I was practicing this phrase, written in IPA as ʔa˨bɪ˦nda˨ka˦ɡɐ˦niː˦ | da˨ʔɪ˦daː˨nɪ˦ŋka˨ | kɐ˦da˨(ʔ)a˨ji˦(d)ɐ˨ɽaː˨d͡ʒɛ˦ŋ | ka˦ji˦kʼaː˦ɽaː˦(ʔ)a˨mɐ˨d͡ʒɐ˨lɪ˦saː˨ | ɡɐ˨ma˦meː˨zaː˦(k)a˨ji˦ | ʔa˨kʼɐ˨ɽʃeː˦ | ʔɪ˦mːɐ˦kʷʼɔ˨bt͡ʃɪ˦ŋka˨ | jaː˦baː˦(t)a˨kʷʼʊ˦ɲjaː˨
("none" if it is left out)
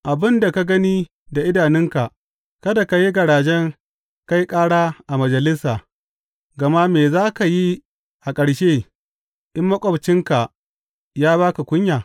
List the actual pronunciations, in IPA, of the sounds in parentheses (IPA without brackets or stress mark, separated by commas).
k, ɡ, ʔ, k, k